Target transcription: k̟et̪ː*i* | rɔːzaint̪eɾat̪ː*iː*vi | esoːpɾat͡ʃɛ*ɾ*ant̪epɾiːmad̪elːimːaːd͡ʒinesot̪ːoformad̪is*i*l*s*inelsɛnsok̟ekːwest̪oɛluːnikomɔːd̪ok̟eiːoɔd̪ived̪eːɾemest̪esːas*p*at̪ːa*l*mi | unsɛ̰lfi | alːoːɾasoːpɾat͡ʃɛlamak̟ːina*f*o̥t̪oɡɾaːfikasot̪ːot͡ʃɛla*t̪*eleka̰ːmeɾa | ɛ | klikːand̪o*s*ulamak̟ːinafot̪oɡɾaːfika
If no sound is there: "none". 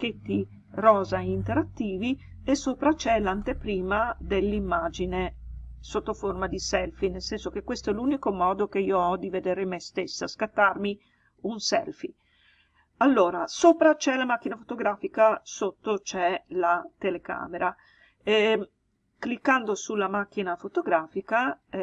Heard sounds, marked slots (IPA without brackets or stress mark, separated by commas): i, iː, l, ɛ, f, k, r, f, t̪, s